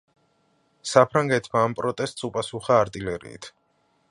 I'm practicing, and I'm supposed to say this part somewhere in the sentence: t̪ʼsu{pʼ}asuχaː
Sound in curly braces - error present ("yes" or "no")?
no